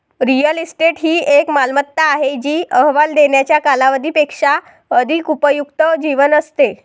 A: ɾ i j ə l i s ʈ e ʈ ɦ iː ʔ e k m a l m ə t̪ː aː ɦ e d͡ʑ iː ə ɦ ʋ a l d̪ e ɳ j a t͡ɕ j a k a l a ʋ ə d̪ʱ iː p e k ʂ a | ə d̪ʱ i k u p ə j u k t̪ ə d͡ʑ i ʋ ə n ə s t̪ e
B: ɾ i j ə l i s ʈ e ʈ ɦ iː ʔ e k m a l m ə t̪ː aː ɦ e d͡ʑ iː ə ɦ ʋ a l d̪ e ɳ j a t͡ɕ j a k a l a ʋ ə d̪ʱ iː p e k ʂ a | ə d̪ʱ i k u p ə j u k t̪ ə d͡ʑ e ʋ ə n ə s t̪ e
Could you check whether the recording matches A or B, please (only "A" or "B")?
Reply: A